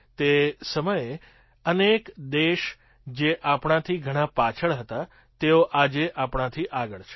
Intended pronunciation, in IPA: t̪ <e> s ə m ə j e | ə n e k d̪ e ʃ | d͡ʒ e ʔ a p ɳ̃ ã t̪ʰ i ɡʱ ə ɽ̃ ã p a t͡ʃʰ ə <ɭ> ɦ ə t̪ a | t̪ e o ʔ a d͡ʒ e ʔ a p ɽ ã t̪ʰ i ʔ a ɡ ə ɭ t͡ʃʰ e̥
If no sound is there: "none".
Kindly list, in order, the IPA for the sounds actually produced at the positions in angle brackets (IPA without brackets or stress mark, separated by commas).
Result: e, ɭ